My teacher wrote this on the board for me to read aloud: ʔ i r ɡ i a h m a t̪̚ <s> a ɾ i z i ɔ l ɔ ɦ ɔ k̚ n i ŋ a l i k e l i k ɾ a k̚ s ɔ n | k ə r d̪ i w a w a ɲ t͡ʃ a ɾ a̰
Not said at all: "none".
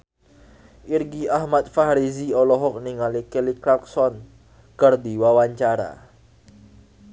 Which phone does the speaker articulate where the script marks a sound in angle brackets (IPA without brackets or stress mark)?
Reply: f